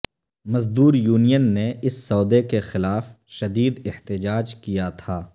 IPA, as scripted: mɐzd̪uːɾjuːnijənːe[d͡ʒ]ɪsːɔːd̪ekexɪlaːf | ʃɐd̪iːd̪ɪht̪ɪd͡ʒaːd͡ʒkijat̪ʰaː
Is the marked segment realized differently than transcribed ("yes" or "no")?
yes